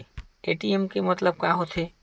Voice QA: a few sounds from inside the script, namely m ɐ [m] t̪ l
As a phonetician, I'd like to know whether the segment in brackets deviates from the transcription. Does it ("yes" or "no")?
yes